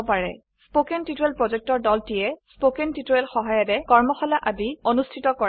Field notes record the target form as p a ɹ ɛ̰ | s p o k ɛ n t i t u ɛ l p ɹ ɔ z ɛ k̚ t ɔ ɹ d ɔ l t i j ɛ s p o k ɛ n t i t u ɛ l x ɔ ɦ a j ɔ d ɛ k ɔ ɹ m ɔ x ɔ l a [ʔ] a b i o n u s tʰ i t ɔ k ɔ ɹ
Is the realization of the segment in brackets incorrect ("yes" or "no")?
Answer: no